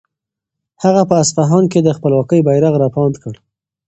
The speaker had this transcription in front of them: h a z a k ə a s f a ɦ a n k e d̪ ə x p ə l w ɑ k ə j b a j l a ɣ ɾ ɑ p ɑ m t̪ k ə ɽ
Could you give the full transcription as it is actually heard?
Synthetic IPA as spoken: h a ɣ a p ə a s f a ɦ ɑ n k e d̪ ə x p ə l w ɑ k ə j b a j ɾ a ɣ ɾ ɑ p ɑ n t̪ k ə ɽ

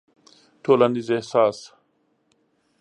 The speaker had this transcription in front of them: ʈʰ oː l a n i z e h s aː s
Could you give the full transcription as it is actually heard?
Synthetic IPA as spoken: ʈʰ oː l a n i z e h s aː s

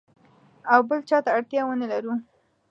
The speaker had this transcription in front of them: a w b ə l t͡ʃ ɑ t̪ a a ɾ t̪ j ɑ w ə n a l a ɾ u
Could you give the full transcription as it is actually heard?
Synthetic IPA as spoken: a w b ə l t͡ʃ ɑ t̪ a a ɽ t̪ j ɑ w ə n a l a ɾ u

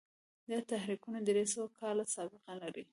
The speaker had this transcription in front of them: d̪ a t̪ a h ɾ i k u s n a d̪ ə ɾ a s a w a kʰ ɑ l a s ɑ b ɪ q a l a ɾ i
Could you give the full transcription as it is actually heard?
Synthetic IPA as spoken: d̪ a t̪ a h ɾ i k u n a d̪ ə ɾ e s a w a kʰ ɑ l a s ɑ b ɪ q a l a ɾ i

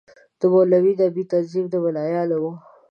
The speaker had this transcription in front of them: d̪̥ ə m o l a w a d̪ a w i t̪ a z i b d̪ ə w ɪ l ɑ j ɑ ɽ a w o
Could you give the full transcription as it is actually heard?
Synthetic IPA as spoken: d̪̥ ə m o l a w i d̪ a b i t̪ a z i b d̪ ə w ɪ l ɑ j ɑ l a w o

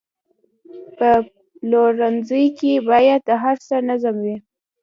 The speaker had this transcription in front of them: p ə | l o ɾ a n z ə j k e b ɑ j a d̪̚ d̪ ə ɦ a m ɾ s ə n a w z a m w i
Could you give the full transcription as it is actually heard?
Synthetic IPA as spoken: p ə | l o ɾ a n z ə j k e b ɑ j a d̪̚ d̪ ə ɦ a ɾ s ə n a z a m w i

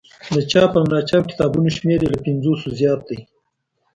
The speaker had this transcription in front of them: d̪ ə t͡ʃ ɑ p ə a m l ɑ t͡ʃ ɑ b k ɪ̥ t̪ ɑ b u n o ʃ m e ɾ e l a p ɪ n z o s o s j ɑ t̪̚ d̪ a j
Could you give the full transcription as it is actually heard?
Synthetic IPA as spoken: d̪ ə t͡ʃ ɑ p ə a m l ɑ t͡ʃ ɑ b k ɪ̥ t̪ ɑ b u n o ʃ m e ɾ e l a p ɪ n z o s o z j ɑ t̪̚ d̪ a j

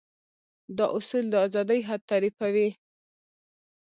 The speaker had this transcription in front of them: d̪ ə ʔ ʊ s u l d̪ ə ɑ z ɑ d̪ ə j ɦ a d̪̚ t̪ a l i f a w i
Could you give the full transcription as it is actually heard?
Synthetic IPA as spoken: d̪ ɑ ʔ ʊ s u l d̪ ə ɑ z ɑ d̪ ə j ɦ a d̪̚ t̪ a ɾ i f a w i

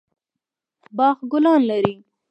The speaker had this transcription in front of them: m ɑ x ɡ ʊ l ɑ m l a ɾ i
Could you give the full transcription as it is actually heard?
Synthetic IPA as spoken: b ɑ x ɡ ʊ l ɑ n l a ɾ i

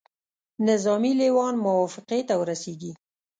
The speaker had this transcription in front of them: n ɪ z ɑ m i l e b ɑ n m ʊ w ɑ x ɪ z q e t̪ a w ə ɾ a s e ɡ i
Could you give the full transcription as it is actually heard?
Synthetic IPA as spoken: n ɪ z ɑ m i l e w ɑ n m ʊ w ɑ f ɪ q e t̪ a w ə ɾ a s e ɡ i

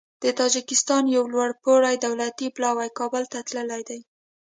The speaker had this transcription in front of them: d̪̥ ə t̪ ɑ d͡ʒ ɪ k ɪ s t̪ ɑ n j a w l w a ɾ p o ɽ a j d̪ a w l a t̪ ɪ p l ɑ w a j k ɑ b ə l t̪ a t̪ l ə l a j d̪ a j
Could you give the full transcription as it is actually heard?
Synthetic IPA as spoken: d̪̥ ə t̪ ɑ d͡ʒ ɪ k ɪ s t̪ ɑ n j a w l w a ɽ p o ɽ a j d̪ a w l a t̪ i p l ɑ w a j k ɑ b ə l t̪ a t̪ l ə l a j d̪ a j

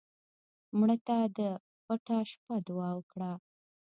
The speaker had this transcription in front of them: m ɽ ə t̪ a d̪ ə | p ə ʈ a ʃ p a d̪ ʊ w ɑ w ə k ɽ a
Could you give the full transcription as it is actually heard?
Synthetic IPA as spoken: m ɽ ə t̪ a d̪ ə | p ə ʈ a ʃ p a d̪ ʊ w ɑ w ə k ɽ a

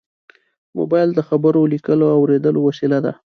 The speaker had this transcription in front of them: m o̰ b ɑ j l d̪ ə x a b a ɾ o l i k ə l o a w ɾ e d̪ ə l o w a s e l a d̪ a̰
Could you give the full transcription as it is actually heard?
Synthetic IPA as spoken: m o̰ b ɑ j l d̪ ə x a b ə ɾ o l i k ə l o a w ɾ e d̪ ə l o w a s i l a d̪ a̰

